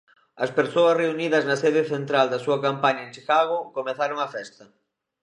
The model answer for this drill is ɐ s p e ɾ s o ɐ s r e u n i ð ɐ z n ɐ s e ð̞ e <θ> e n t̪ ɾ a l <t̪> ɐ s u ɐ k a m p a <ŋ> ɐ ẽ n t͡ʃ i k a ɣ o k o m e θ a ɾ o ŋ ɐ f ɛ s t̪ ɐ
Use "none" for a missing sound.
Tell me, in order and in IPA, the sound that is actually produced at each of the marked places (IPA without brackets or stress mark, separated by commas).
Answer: θ, d̪, ɲ